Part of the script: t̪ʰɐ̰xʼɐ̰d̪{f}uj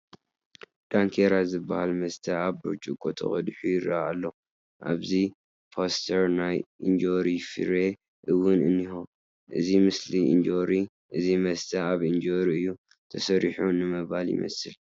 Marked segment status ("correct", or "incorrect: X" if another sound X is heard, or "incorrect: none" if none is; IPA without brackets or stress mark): incorrect: ħ